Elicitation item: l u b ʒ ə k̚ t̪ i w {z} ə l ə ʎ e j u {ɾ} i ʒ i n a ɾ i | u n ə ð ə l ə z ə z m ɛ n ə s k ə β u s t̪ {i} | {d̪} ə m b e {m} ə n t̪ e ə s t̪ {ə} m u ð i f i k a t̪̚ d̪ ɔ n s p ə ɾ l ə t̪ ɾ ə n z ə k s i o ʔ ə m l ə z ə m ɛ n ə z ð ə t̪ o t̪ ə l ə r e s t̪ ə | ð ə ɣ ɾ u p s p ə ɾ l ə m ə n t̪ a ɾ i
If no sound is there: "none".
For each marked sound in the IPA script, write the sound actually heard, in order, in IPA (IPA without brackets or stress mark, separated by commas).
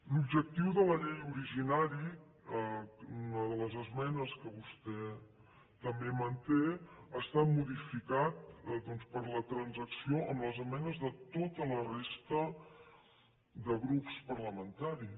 ð, ɾ, ɛ, t̪, m, a